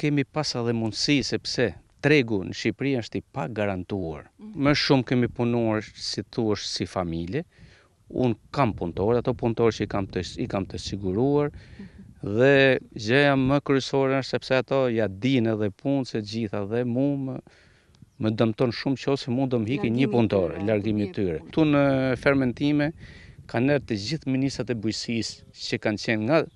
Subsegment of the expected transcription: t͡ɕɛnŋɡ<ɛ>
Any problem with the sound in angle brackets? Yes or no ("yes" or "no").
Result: yes